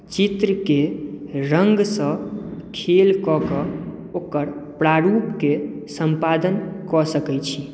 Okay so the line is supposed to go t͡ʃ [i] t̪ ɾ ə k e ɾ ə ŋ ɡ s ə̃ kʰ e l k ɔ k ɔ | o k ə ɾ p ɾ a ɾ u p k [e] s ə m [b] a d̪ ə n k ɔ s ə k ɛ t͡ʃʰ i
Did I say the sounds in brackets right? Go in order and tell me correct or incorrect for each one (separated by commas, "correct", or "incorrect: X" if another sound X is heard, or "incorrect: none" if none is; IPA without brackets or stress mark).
correct, correct, incorrect: p